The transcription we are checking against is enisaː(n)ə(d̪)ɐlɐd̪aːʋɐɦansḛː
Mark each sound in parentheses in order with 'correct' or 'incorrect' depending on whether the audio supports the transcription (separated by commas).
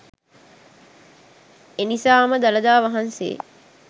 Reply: incorrect, correct